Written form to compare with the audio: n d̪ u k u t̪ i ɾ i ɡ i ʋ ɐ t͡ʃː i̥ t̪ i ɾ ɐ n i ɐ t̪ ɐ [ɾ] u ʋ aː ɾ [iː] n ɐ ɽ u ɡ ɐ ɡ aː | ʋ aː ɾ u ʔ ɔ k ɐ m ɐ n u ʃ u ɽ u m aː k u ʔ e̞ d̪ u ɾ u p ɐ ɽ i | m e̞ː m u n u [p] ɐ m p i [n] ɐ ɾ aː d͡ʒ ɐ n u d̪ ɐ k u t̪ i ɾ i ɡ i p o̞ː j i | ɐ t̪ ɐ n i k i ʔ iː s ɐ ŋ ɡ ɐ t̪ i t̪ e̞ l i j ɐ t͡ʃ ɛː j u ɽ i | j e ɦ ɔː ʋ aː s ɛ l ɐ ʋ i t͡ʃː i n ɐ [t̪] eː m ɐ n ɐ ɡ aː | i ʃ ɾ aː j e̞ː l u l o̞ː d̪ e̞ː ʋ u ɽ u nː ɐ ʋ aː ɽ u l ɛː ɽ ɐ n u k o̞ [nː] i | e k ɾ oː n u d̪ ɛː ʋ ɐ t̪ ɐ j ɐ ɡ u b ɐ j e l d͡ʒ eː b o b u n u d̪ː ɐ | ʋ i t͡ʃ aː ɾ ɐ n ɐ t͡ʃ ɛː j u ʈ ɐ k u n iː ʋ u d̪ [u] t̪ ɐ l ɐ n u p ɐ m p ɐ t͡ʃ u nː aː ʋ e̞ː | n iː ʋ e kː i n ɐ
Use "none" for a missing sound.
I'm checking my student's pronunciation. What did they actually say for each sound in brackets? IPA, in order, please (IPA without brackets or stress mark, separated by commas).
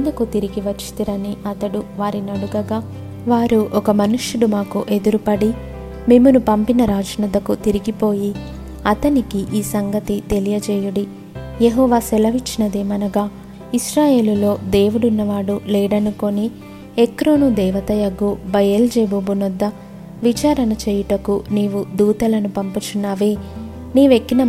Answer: ɽ, i, p, n, d̪, n, uː